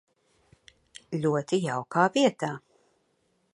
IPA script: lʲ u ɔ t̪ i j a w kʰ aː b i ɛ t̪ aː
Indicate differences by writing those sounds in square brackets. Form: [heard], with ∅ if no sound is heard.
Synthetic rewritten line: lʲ u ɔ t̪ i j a w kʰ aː [v] i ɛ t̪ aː